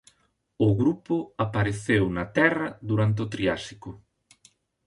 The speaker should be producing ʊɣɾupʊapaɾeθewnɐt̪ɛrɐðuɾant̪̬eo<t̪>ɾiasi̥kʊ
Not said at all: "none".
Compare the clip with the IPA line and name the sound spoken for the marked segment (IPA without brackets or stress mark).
t̪